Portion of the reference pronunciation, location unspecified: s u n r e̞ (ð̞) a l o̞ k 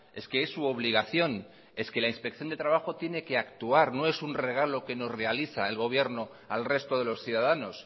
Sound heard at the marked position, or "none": ɣ̞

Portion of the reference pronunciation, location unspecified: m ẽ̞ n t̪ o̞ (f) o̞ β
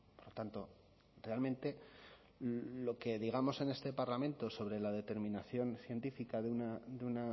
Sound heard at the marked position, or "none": s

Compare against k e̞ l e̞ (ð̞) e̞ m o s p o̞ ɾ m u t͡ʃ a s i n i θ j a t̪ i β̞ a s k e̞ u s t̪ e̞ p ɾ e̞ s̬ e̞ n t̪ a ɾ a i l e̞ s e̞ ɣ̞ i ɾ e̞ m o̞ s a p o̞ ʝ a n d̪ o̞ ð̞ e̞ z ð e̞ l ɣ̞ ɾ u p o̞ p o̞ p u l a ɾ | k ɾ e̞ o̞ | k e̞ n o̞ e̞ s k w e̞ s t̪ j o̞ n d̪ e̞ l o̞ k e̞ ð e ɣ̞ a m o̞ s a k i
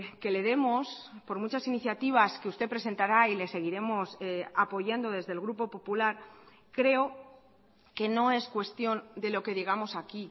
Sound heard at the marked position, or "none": ð̞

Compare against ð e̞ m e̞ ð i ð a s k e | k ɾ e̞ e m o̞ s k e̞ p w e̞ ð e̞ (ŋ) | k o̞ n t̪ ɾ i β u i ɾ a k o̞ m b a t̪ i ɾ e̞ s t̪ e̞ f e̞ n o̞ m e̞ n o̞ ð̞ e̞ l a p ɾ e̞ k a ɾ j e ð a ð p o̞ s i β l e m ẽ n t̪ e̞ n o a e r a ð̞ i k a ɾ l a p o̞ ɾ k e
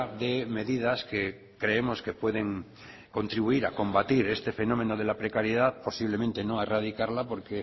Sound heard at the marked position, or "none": ŋ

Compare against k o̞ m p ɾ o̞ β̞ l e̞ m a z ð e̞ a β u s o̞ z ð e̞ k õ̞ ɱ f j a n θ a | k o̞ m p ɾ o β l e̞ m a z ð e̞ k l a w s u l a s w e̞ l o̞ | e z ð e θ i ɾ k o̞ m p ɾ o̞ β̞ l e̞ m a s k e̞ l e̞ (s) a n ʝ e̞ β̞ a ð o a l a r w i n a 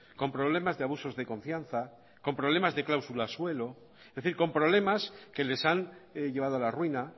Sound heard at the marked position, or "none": s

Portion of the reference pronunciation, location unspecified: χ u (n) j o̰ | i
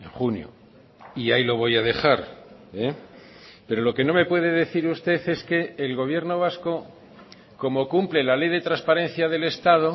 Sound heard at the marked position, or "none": n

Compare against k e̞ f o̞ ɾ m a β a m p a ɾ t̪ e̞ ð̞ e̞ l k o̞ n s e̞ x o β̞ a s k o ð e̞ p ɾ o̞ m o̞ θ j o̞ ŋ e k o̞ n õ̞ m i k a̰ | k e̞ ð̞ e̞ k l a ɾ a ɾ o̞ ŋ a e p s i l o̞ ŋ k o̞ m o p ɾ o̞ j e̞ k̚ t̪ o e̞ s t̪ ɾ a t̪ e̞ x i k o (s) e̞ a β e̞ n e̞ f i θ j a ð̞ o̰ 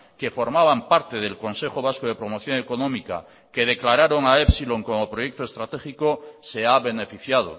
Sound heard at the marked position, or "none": s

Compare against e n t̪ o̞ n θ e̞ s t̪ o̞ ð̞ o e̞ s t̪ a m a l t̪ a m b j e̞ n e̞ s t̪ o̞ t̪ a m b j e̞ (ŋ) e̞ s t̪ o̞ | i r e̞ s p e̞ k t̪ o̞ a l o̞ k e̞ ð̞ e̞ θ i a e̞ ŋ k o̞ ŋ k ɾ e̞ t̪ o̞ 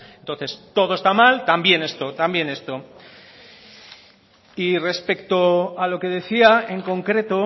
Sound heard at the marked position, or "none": n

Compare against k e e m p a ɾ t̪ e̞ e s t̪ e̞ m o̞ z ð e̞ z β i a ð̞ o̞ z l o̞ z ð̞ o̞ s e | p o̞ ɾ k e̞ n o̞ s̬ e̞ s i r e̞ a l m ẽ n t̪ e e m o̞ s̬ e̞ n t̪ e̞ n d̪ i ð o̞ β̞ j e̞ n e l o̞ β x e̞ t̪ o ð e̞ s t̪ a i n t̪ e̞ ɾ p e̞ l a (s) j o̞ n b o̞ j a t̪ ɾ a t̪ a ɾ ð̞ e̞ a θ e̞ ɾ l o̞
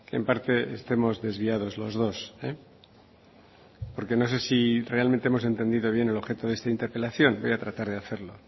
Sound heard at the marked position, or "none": θ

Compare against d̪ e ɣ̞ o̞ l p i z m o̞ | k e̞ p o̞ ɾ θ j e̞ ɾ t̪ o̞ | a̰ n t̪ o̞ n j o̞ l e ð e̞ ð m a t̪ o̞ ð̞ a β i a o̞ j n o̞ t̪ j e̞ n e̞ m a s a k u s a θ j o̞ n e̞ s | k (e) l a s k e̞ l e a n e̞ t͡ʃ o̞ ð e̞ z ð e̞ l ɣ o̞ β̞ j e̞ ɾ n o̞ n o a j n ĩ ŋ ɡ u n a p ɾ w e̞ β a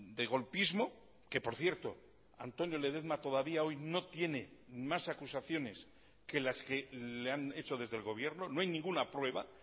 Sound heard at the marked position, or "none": e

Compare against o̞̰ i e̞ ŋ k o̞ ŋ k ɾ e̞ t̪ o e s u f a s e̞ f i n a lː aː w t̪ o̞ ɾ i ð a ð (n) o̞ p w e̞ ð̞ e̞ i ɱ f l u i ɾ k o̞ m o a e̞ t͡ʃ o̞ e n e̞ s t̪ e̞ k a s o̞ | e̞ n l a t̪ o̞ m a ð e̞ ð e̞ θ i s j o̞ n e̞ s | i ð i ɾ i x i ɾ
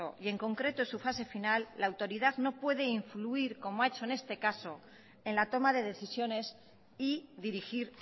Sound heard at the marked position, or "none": n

